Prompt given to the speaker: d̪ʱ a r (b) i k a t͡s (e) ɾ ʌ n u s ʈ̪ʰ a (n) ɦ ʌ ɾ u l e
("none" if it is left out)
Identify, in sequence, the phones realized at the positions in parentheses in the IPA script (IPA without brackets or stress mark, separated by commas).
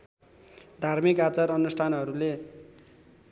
m, a, n